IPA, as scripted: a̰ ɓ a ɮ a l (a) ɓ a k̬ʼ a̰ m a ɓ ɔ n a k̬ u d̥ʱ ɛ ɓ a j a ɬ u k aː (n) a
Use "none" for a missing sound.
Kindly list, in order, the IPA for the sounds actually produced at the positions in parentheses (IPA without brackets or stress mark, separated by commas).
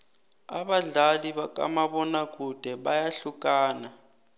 i, n